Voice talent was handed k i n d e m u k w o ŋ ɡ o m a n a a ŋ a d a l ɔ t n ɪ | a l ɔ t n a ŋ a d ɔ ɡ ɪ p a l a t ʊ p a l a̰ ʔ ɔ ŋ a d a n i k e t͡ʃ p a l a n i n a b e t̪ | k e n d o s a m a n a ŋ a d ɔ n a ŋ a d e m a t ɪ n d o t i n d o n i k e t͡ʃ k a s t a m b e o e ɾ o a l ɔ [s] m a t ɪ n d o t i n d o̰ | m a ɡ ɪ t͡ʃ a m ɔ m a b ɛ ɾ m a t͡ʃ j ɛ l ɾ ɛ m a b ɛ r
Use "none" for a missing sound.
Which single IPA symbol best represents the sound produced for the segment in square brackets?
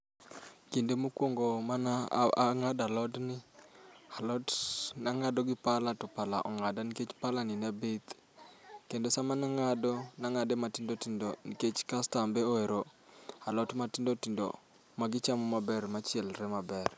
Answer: t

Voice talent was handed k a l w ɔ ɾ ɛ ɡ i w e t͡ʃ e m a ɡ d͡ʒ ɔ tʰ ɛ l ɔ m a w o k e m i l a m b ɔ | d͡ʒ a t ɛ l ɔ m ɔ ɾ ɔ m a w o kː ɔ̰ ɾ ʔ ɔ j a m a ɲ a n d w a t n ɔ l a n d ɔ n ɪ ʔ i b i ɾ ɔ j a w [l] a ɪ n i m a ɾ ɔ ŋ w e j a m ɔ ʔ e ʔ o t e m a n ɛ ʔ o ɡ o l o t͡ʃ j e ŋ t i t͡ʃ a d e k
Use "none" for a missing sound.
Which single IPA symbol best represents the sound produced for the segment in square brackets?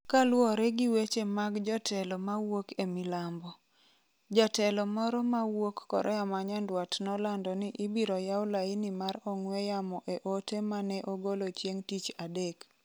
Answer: l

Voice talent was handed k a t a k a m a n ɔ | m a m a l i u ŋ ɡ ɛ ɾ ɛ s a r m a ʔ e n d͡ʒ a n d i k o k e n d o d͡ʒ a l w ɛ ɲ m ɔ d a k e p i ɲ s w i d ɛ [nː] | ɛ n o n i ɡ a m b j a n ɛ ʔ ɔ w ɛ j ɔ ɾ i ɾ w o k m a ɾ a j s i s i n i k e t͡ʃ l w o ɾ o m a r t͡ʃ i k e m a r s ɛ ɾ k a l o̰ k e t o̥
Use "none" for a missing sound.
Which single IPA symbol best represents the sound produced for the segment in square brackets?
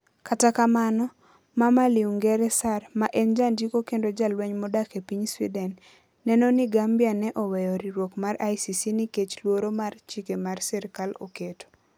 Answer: nː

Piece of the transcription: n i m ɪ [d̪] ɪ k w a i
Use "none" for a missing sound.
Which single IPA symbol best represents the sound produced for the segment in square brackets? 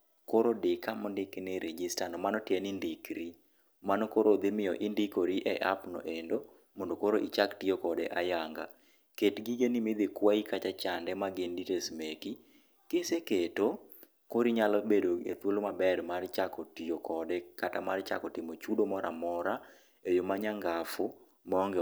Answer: d̪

